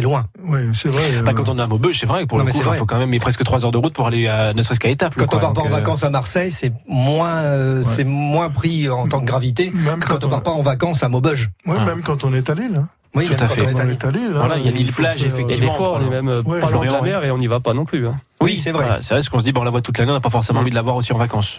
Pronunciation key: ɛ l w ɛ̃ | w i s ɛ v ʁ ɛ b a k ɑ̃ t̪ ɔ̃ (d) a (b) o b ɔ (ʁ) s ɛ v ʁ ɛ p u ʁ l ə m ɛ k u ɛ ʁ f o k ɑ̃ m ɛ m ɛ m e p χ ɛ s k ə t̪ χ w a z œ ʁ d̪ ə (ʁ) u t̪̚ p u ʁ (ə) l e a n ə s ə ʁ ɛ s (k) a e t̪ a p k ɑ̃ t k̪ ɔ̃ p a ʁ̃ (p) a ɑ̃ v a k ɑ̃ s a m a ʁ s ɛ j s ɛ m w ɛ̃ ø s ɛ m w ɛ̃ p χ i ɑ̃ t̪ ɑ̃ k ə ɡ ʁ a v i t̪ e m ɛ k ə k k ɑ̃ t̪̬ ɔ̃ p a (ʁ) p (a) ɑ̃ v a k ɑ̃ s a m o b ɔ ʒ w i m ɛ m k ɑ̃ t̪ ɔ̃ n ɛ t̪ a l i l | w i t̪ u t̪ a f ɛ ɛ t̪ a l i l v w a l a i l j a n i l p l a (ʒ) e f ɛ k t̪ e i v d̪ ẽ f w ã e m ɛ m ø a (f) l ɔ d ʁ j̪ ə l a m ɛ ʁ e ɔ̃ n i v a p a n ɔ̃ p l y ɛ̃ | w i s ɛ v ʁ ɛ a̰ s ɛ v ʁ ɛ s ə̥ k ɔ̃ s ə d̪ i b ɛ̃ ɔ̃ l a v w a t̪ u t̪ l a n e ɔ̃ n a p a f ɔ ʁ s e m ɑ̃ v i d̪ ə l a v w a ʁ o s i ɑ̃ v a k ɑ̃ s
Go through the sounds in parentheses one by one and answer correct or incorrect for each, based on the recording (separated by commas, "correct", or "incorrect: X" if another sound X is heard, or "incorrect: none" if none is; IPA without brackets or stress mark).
incorrect: n, incorrect: m, incorrect: ʒ, correct, incorrect: a, correct, correct, correct, correct, correct, correct